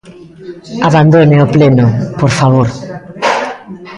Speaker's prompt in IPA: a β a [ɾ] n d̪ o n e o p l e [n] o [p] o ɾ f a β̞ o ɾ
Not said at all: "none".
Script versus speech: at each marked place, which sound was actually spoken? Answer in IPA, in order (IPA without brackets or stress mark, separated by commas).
none, n, p